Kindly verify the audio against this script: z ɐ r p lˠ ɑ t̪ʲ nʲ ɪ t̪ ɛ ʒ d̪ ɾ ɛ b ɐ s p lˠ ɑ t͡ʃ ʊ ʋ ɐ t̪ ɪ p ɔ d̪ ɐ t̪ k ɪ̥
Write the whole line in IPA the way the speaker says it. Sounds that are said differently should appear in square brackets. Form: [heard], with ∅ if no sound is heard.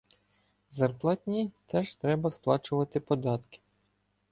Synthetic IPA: z ɐ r p lˠ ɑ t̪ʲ nʲ [i] t̪ ɛ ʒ [t̪] ɾ ɛ b ɐ s p lˠ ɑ t͡ʃ ʊ ʋ ɐ t̪ ɪ p ɔ d̪ [ɑ] t̪ k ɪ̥